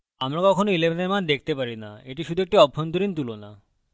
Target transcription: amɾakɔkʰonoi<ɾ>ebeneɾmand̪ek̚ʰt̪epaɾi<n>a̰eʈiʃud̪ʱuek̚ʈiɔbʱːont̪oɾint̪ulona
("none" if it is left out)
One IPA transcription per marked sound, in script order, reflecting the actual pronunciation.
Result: l, n

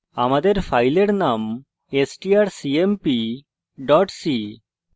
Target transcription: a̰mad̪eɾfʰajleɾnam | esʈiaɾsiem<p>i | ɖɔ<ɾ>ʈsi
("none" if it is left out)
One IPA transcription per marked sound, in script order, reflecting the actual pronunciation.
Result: p, none

